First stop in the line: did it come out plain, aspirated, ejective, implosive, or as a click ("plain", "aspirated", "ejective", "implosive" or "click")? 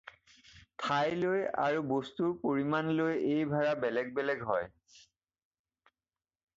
aspirated